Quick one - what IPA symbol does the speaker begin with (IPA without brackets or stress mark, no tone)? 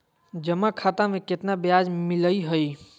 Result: d͡ʒ